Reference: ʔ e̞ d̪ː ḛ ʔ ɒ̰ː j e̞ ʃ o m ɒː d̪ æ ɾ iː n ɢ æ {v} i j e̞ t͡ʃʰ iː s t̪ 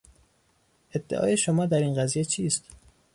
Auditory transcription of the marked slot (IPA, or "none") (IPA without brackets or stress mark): z